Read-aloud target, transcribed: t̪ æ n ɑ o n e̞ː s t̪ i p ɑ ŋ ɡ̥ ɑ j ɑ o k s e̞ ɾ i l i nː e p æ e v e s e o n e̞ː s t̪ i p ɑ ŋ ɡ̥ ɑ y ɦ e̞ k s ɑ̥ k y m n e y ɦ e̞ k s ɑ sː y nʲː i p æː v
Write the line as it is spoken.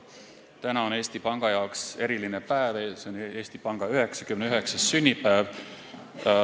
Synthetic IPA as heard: t̪ æ n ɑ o n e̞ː s t̪ i p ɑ ŋ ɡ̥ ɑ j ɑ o k s e̞ ɾ i l i n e p æ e v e s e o n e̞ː s t̪ i p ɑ ŋ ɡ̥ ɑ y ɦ e̞ k s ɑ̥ k y m n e y ɦ e̞ k s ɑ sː y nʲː i p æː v